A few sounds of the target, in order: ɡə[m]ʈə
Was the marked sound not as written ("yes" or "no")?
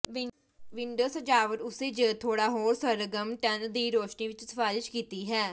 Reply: no